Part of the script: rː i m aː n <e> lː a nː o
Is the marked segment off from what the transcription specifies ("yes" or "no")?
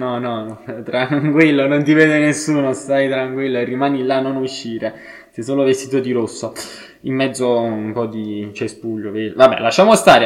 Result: yes